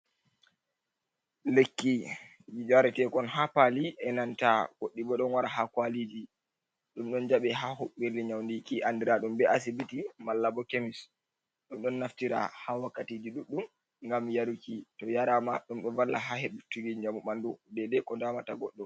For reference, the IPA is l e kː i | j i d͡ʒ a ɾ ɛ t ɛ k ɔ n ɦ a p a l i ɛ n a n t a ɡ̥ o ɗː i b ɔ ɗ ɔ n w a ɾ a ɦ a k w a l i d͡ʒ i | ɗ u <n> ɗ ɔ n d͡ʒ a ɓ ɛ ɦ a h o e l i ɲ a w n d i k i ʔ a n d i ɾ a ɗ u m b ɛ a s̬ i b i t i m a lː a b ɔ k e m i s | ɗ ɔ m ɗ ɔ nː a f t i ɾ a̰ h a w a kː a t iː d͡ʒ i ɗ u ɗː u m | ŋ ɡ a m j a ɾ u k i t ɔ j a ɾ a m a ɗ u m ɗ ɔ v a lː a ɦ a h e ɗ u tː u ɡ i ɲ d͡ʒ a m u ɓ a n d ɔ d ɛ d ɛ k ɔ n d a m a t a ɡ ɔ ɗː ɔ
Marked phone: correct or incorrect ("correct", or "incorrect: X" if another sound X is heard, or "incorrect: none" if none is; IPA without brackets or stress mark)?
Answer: incorrect: m